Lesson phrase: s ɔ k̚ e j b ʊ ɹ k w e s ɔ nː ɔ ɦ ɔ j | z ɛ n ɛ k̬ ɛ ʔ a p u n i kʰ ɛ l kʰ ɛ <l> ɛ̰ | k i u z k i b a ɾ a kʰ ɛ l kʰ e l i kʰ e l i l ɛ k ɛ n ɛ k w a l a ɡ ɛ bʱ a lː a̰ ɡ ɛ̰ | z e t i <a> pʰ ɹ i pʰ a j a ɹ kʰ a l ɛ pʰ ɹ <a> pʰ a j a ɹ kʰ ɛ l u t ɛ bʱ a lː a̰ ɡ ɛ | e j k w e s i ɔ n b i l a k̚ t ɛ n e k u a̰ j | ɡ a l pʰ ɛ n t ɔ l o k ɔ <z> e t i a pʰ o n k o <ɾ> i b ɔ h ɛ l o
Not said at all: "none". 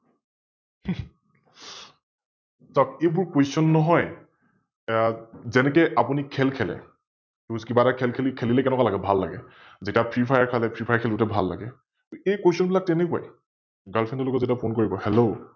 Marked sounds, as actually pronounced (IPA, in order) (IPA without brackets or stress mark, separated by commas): l, a, i, z, ɹ